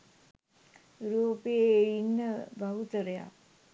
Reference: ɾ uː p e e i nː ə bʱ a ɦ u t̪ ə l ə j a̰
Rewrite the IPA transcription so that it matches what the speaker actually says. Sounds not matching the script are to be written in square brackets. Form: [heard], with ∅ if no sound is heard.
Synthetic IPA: ɾ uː p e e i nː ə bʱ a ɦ u t̪ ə [ɾ] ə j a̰